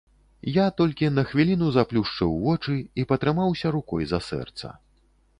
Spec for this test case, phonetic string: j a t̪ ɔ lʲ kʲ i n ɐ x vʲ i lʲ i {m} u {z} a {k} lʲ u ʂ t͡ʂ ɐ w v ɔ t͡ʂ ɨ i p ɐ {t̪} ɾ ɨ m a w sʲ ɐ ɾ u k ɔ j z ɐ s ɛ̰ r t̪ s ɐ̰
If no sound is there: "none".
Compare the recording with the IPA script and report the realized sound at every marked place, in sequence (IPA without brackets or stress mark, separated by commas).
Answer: n, z, p, t̪